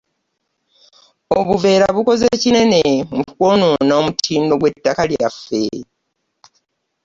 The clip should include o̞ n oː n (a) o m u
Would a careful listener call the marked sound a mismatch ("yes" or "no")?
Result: no